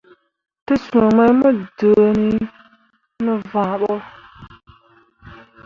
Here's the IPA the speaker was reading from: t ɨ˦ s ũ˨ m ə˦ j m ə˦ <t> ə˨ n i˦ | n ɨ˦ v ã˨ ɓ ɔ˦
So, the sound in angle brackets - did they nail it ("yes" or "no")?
no